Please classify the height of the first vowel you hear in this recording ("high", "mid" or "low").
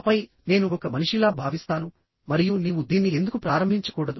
low